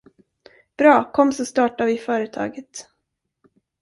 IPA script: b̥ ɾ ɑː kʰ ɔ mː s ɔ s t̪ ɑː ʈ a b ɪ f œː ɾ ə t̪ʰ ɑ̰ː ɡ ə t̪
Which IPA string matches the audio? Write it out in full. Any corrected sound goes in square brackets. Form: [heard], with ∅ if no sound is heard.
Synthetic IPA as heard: b̥ ɾ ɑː kʰ ɔ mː s ɔ s t̪ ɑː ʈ a [v] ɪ f œː ɾ ə t̪ʰ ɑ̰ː ɡ ə t̪